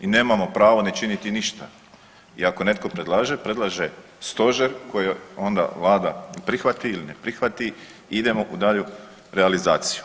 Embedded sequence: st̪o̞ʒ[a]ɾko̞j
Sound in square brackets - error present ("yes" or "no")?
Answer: yes